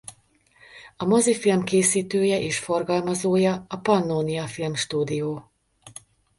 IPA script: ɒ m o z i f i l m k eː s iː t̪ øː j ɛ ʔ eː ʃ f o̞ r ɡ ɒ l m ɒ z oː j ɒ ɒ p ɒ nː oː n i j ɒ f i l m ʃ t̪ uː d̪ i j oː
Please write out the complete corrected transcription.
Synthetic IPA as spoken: ɒ m o z i f i l m k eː s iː t̪ øː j ɛ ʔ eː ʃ f o̞ r ɡ ɒ l m ɒ z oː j ɒ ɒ p ɒ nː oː n i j ɒ f i l m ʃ t̪ uː d̪ i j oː